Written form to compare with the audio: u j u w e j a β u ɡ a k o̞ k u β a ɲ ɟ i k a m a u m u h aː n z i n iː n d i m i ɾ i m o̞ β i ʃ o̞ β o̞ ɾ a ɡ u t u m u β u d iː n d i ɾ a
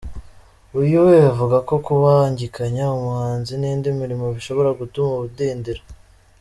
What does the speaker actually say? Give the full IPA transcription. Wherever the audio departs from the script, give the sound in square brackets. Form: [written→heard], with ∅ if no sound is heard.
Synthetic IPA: u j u w e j a [β→v] u ɡ a k o̞ k u β a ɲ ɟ i k a [m→ɲ] a u m u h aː n z i n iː n d i m i ɾ i m o̞ β i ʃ o̞ β o̞ ɾ a ɡ u t u m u β u d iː n d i ɾ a